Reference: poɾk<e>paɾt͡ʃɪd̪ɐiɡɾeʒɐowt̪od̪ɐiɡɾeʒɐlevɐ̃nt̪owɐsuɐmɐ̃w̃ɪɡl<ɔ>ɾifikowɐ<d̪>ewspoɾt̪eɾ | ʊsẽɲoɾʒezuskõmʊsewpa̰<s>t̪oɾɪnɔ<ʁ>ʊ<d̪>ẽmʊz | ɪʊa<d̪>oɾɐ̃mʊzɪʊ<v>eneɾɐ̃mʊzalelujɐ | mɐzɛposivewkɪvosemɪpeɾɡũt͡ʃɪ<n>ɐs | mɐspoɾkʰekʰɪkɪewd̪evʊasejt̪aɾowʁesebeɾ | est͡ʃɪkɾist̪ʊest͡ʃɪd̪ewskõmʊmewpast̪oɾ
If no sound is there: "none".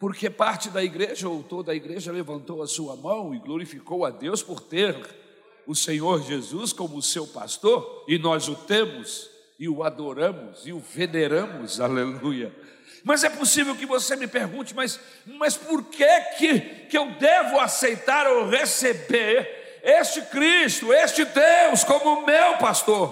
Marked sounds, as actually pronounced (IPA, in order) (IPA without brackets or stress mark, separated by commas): e, o, d̪, s, z, t̪, d̪, v, m